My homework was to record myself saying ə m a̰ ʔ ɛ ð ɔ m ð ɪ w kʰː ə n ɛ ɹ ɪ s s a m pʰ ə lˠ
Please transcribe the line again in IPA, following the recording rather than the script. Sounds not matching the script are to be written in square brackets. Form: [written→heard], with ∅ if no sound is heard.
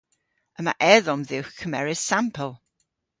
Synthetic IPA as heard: ə m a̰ ʔ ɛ ð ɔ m ð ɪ w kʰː ə [n→m] ɛ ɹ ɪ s s a m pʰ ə lˠ

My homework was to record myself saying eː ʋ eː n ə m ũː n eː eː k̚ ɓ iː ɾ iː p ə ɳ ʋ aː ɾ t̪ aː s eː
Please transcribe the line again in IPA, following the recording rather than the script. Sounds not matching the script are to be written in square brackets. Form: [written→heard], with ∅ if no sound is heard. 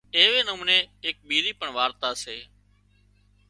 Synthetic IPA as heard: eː ʋ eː n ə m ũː n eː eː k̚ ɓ iː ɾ iː p ə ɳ ʋ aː ɾ t̪ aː s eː

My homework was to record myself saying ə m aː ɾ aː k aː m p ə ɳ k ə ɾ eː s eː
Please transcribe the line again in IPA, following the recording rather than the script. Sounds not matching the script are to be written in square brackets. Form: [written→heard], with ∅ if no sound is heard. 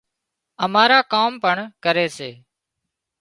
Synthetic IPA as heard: ə m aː ɾ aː k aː m p ə ɳ k ə ɾ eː s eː

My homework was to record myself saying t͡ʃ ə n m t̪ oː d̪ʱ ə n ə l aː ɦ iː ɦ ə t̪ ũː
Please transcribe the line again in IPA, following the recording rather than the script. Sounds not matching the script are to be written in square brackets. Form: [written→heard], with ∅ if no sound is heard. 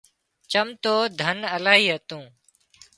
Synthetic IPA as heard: t͡ʃ ə [n→∅] m t̪ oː d̪ʱ ə n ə l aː ɦ iː ɦ ə t̪ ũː

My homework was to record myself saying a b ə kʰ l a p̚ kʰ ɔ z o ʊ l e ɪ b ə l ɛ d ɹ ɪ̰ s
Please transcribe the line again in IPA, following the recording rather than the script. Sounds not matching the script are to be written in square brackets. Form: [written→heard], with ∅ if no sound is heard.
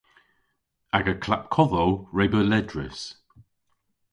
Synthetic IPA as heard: a [b→ɡ] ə kʰ l a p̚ kʰ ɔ [z→ð] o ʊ [l→ɹ] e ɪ b ə l ɛ d ɹ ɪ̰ s

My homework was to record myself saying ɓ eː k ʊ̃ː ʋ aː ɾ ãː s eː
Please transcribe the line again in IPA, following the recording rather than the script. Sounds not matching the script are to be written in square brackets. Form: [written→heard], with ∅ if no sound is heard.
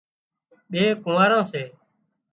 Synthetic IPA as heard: ɓ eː k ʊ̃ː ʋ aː ɾ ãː s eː

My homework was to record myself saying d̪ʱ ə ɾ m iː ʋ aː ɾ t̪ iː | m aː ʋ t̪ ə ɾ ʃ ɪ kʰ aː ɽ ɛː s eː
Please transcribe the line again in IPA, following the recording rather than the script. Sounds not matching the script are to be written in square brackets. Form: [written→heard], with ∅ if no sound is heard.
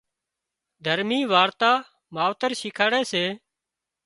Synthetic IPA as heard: d̪ʱ ə ɾ m iː ʋ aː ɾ t̪ [iː→aː] | m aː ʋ t̪ ə ɾ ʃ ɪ kʰ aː ɽ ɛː s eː

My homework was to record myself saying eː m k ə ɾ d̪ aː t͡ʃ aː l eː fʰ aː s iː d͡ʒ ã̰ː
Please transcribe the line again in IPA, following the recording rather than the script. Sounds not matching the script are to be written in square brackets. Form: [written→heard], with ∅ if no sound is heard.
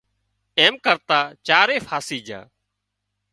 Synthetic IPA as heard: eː m k ə ɾ [d̪→t̪] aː t͡ʃ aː [l→ɾ] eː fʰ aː s iː d͡ʒ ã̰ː

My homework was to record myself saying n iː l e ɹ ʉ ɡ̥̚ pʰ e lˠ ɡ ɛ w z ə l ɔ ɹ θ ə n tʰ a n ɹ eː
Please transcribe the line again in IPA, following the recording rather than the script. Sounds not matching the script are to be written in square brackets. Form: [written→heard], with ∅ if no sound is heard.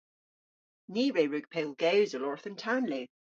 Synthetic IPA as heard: n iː [l→ɹ] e ɹ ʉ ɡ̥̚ pʰ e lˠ ɡ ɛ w z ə l ɔ ɹ θ ə n tʰ a n [ɹ→l] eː

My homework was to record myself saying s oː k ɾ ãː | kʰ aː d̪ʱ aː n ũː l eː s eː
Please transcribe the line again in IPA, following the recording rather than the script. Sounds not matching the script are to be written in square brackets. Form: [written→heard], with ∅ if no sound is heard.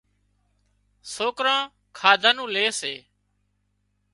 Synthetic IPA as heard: s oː k ɾ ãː | kʰ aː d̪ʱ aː n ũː l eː s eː

